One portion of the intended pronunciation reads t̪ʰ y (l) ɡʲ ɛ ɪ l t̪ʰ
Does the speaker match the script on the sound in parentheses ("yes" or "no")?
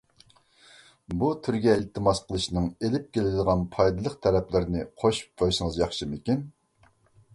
no